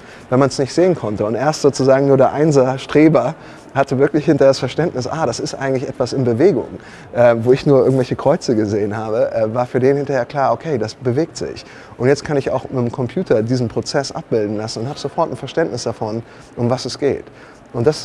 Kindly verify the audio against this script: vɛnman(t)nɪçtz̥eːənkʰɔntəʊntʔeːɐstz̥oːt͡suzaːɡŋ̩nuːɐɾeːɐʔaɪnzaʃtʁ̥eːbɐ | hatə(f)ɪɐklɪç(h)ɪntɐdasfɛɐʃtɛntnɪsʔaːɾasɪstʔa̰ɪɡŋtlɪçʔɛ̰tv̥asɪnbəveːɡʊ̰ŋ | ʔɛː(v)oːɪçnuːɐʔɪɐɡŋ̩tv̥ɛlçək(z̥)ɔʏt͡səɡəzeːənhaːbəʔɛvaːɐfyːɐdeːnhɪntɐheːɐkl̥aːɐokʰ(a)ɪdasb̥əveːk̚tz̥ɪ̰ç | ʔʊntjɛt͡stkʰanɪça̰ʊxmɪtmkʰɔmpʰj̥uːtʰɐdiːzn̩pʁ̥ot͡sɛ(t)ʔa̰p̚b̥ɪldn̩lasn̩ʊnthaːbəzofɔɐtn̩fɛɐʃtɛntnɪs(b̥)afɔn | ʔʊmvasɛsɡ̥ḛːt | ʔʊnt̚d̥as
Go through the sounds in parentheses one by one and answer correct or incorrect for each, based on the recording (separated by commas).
incorrect, incorrect, correct, correct, incorrect, incorrect, incorrect, incorrect